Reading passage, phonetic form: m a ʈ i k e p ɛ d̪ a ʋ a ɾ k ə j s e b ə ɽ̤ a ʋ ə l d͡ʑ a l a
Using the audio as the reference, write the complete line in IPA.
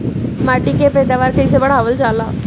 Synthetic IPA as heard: m a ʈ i k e p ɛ d̪ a ʋ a ɾ k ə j s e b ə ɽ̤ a ʋ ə l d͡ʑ a l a